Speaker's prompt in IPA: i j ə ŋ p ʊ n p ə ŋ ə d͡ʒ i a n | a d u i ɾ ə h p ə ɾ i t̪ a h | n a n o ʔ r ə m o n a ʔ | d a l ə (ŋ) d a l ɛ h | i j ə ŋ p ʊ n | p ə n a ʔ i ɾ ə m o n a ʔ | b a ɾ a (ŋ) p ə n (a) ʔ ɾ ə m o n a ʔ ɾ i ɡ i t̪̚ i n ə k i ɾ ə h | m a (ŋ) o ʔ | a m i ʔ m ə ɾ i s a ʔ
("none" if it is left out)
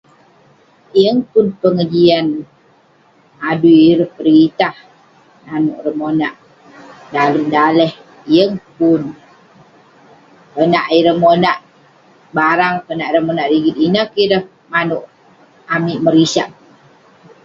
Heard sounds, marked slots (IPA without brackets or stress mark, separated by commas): m, ŋ, a, n